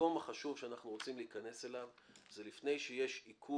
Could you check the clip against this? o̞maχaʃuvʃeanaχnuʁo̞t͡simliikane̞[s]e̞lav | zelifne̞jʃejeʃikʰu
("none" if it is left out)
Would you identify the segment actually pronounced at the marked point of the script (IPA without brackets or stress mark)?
s